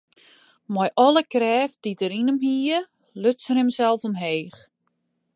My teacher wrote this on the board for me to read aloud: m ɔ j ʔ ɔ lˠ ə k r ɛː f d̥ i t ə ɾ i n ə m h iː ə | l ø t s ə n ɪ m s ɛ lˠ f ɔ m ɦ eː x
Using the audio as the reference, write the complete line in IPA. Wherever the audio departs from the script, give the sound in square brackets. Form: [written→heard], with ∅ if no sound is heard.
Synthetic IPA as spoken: m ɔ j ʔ ɔ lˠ ə k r ɛː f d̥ i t ə ɾ i n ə m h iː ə | l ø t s ə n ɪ m s ɛ lˠ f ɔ m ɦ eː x

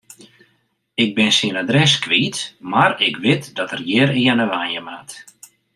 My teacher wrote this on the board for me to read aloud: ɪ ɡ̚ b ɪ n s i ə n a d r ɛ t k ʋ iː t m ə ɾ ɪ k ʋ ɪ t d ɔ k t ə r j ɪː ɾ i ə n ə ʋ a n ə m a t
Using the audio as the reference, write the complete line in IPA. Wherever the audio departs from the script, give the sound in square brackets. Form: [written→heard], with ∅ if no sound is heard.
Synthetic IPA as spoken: ɪ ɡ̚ b ɪ n s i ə n a d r ɛ [t→s] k ʋ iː t m [ə→a] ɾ ɪ k ʋ ɪ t d ɔ [k→∅] t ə r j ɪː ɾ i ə n ə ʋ a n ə m a t

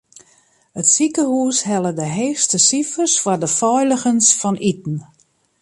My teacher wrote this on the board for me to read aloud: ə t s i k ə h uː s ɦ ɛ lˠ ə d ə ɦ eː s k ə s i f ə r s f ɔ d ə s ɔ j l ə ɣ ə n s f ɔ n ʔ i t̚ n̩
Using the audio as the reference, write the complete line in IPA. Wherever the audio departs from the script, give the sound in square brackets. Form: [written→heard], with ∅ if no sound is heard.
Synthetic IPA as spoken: ə t s i k ə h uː s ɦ ɛ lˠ ə d ə ɦ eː s [k→t] ə s i f ə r s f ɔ d ə [s→f] ɔ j l ə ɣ ə n s f ɔ n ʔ i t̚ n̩

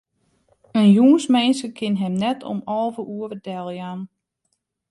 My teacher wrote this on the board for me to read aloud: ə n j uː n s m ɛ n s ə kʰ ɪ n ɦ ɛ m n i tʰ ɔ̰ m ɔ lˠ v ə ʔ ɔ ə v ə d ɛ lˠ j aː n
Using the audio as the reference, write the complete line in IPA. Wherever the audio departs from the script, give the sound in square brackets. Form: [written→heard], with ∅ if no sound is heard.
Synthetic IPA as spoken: ə n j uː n s m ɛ n s ə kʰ ɪ n ɦ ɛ m n [i→ɛ] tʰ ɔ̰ m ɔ lˠ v ə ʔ [ɔ→u] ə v ə d ɛ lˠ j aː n

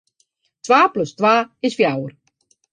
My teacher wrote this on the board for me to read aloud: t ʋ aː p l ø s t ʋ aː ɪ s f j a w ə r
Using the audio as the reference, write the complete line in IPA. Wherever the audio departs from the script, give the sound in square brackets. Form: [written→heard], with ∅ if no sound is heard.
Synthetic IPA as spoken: t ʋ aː p l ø s t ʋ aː ɪ s f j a w ə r

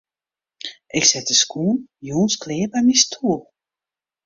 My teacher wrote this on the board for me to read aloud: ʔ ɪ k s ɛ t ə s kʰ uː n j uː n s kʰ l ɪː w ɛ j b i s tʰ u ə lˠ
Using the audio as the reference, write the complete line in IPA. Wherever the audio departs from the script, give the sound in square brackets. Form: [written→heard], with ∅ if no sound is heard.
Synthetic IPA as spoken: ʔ ɪ k s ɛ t ə s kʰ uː n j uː n s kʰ l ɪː [w→b] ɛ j [b→m] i s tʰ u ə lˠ

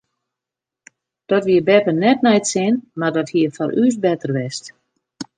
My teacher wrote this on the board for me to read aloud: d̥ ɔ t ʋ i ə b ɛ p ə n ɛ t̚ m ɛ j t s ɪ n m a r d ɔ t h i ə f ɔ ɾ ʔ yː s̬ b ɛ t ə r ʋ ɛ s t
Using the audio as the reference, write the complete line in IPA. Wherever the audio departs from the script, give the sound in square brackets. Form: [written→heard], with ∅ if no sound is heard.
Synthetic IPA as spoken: d̥ ɔ t ʋ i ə b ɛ p ə n ɛ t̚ [m→n] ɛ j t s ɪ n m a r d ɔ t h i ə f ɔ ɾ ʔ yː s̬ b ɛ t ə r ʋ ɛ s t

